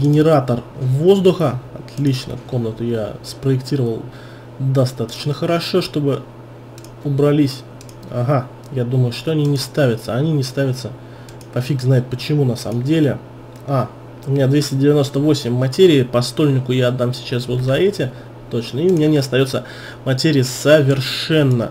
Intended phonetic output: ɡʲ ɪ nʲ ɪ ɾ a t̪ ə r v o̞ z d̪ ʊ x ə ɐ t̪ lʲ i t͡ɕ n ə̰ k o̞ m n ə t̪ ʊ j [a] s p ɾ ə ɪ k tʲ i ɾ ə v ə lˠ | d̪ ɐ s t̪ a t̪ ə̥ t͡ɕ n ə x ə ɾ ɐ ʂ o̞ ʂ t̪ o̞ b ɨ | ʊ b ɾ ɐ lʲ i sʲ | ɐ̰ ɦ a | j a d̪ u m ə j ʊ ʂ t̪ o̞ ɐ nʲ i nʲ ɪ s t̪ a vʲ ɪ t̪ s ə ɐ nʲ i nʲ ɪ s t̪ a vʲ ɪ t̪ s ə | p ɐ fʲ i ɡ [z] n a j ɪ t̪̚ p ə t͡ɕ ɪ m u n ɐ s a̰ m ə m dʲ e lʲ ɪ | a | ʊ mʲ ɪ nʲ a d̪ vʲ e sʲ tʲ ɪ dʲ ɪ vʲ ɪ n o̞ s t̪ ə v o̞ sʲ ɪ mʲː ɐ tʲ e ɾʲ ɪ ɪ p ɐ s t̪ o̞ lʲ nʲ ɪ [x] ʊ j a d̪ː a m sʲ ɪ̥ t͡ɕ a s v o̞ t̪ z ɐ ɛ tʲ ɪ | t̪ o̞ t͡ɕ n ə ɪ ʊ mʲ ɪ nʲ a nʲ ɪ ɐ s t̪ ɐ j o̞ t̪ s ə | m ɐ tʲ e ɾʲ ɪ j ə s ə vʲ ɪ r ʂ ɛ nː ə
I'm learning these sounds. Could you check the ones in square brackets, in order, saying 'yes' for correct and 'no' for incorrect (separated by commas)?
yes, yes, no